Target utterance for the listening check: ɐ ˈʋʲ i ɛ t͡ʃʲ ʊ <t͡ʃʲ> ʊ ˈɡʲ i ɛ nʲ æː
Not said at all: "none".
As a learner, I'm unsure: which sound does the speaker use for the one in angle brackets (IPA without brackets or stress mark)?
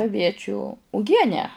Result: none